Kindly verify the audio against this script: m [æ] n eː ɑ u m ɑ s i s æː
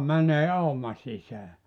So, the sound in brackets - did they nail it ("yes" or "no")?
yes